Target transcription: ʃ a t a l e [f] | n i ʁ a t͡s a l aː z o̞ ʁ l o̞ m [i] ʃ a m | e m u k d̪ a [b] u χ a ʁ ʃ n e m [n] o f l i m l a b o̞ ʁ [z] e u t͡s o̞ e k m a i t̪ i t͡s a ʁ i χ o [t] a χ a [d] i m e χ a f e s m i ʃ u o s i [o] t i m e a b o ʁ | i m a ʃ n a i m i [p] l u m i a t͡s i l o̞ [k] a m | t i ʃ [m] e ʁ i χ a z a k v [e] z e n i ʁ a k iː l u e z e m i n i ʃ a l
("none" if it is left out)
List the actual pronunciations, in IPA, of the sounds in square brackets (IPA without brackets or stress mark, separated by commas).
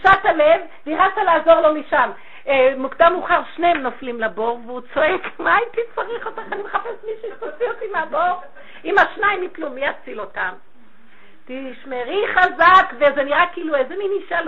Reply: v, i, m, n, v, t, n, o, p, t, m, e